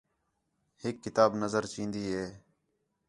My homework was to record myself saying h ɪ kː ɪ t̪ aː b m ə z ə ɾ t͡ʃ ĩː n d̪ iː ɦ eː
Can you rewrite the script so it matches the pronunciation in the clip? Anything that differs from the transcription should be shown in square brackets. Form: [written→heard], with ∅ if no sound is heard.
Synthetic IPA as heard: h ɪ kː ɪ t̪ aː b [m→n] ə z ə ɾ t͡ʃ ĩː n d̪ iː ɦ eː